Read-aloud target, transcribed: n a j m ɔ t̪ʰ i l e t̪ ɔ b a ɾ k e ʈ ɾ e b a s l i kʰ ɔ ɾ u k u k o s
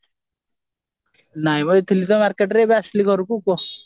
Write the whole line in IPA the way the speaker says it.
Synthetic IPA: n a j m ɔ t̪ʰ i l i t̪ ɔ m a ɾ k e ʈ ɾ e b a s l i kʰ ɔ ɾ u k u k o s